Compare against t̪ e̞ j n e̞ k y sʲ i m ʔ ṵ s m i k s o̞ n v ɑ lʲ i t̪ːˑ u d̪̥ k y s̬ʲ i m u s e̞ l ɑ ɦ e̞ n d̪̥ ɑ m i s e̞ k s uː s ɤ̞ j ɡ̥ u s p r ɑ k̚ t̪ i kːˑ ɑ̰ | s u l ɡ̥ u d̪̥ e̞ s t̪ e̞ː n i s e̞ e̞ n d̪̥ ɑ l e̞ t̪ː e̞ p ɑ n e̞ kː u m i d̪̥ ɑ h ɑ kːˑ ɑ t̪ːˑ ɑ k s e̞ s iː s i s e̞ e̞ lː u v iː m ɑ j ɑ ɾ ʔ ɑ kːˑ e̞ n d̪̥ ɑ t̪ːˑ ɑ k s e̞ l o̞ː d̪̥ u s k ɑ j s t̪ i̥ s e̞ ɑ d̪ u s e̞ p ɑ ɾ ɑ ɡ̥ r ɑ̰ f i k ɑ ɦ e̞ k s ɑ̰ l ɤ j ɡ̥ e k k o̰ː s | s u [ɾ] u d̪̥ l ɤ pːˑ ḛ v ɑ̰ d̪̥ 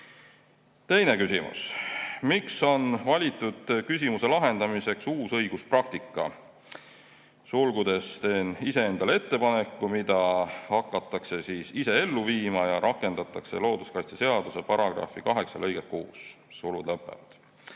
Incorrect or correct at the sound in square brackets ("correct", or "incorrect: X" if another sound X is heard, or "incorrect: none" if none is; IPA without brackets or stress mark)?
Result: incorrect: l